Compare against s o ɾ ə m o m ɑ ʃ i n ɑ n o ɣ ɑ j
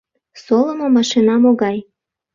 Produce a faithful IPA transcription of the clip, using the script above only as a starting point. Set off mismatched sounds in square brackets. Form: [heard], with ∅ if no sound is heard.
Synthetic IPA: s o [l] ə m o m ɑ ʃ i n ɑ [m] o ɣ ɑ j